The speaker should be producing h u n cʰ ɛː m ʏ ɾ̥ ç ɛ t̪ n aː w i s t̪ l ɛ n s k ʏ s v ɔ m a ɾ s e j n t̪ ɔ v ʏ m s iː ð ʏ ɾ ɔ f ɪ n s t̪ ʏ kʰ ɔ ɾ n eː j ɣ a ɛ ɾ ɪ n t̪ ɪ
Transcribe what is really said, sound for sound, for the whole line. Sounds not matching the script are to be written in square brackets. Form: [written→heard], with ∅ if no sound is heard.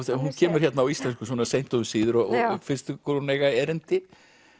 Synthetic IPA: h u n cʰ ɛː m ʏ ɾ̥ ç ɛ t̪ n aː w i s t̪ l ɛ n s k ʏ s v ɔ [m→n] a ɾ s e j n t̪ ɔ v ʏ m s iː ð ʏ ɾ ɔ f ɪ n s t̪ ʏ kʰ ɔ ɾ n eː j ɣ a ɛ ɾ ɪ n t̪ ɪ